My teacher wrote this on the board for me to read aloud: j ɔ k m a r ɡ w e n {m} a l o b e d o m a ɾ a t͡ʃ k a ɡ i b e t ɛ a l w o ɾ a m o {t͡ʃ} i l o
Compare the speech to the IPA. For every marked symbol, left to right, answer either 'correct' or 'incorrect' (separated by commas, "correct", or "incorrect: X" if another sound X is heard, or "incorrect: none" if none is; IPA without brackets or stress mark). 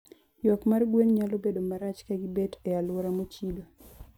incorrect: ɲ, correct